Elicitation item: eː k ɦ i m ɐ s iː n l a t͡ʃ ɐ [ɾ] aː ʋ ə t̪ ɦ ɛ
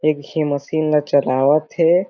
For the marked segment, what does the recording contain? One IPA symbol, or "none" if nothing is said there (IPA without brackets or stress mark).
l